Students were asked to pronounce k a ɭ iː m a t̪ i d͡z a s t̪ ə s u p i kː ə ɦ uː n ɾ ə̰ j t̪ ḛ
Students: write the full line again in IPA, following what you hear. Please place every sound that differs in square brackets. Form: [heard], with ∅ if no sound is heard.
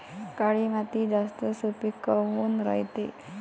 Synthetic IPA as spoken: k a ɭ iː m a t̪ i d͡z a s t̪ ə s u p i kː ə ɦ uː n ɾ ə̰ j t̪ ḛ